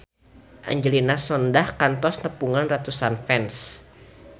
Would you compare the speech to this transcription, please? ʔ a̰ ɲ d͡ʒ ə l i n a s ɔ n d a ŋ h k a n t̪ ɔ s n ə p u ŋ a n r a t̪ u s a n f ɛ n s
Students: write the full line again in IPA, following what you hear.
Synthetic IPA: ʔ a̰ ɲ d͡ʒ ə l i n a s ɔ n d a h k a n t̪ ɔ s n ə p u ŋ a n r a t̪ u s a n f ɛ n s